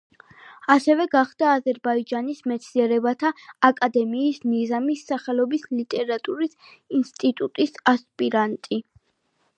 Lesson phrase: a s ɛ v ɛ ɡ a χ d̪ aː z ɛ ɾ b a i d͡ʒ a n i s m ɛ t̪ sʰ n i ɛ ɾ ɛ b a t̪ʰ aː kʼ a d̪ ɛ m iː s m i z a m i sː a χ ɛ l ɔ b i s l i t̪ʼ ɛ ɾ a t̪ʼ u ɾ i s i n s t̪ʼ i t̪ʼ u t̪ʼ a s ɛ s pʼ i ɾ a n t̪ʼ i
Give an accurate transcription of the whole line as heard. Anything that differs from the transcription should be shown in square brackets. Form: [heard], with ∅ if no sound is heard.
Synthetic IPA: a s ɛ v ɛ ɡ a χ d̪ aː z ɛ ɾ b a i d͡ʒ a n i s m ɛ t̪ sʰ n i ɛ ɾ ɛ b a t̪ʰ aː kʼ a d̪ ɛ m iː s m i z a m i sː a χ ɛ l ɔ b i s l i t̪ʼ ɛ ɾ a t̪ʼ u ɾ i s i n s t̪ʼ i t̪ʼ u t̪ʼ [i] s [a] s pʼ i ɾ a n t̪ʼ i